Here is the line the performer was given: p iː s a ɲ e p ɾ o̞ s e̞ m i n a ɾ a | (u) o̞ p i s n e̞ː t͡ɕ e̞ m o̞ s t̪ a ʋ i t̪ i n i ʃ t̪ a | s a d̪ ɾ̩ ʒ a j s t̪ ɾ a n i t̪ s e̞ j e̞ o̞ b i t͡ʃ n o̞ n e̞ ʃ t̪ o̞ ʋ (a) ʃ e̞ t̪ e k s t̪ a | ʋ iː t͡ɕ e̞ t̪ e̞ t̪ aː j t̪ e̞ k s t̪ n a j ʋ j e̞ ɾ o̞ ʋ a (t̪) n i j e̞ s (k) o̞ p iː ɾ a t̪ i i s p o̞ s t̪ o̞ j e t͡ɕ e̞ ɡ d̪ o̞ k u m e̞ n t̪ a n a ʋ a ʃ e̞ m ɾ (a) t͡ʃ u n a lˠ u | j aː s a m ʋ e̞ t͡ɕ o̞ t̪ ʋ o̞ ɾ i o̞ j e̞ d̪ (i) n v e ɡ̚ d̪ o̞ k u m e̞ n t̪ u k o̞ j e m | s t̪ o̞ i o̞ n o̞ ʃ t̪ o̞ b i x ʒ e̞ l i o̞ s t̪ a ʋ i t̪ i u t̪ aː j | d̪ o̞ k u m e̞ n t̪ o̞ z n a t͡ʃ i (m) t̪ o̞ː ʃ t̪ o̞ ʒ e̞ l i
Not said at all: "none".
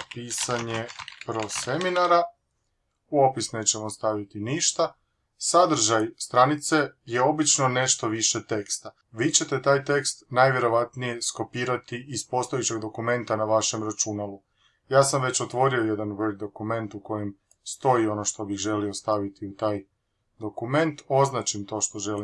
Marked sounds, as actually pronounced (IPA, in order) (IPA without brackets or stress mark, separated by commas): u, i, t̪, k, a, a, m